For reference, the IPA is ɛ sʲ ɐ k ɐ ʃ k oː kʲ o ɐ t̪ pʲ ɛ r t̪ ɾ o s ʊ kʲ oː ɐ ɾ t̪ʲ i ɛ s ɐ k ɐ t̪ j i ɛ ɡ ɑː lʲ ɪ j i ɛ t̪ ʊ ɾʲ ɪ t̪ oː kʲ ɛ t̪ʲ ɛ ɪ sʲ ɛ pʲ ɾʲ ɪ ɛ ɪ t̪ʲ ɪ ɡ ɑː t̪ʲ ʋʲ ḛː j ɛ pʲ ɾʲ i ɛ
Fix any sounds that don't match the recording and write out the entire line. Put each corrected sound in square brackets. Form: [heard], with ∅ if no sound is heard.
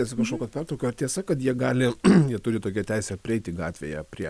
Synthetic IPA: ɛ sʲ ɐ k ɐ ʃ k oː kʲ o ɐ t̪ pʲ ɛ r t̪ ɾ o [∅] ʊ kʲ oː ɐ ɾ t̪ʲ i ɛ s ɐ k ɐ t̪ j i ɛ ɡ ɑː lʲ ɪ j i ɛ t̪ ʊ ɾʲ ɪ t̪ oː kʲ ɛ t̪ʲ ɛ ɪ sʲ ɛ pʲ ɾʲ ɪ ɛ ɪ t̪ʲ ɪ ɡ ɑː t̪ʲ ʋʲ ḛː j ɛ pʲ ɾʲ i ɛ